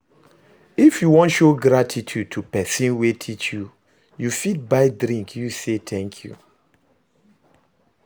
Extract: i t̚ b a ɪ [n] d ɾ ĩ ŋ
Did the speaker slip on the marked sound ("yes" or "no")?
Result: yes